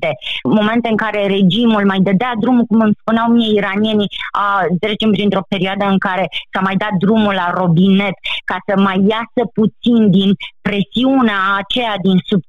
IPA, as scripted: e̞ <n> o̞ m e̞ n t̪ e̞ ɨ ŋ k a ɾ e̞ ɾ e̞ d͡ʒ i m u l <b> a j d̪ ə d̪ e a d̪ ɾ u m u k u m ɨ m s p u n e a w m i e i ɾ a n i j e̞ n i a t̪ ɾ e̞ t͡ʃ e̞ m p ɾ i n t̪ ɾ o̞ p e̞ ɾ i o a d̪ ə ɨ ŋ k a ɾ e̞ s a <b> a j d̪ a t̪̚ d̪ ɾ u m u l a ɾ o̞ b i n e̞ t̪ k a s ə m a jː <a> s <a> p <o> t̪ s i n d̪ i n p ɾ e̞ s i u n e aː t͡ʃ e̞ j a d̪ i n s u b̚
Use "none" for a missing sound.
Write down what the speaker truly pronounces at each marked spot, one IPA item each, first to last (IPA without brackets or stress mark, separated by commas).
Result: m, m, m, a, ə, u